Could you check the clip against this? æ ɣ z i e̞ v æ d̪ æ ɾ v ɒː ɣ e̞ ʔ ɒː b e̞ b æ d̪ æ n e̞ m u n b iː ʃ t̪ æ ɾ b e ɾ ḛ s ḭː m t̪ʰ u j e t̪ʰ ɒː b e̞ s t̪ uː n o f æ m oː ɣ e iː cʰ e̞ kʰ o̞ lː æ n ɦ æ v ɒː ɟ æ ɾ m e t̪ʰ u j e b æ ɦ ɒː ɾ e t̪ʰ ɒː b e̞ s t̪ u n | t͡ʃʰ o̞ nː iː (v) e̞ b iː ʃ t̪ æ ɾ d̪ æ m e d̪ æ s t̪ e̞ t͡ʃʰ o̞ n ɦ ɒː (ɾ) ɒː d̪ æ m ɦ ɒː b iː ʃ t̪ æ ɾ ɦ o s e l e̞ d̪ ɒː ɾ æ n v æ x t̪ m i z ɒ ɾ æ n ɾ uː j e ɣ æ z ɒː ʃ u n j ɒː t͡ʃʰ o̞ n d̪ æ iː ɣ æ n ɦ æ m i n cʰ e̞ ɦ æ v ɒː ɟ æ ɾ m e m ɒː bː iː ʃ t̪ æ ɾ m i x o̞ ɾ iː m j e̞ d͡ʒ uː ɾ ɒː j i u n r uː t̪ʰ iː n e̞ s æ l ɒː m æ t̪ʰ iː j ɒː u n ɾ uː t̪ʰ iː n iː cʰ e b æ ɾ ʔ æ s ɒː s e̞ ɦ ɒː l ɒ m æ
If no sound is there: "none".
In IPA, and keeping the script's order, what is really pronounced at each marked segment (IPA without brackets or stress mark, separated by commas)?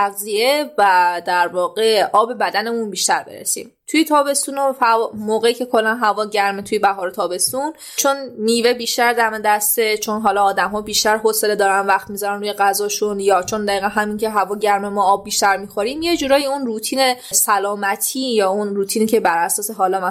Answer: v, l